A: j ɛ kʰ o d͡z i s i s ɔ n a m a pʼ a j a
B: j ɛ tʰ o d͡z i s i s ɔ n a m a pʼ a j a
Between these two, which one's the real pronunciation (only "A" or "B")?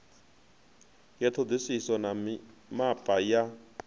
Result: B